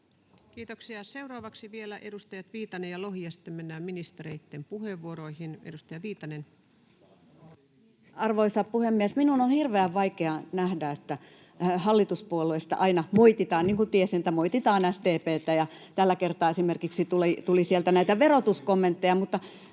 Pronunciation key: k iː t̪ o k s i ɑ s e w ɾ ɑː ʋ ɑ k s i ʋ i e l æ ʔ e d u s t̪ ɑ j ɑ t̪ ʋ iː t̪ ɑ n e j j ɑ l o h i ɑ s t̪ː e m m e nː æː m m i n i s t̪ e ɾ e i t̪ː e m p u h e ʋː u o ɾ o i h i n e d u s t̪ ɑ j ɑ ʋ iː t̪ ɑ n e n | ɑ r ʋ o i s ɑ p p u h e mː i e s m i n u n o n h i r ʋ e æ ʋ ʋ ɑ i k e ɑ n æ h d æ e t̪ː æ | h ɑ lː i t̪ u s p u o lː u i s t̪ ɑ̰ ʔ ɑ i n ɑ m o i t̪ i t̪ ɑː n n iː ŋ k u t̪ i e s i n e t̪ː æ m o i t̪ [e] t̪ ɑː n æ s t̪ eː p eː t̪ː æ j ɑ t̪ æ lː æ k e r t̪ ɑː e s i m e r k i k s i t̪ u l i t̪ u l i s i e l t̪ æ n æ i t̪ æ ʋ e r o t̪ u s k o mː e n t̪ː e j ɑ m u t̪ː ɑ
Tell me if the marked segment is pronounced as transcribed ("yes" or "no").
no